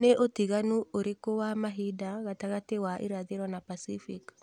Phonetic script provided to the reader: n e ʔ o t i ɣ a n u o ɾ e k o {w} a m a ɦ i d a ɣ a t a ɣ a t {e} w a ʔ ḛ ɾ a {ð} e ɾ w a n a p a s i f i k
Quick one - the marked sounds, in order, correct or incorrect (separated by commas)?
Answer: correct, correct, correct